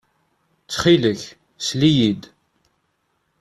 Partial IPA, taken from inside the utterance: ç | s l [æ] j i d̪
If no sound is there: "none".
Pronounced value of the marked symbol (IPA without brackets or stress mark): i